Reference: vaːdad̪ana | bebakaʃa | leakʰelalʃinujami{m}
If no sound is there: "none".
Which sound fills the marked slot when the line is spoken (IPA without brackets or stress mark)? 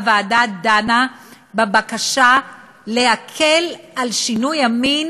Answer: n